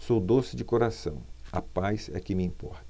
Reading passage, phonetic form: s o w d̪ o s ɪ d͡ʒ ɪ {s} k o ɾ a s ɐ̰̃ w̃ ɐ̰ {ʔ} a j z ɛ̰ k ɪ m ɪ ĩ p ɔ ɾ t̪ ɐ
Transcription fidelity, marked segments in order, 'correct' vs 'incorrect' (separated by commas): incorrect, incorrect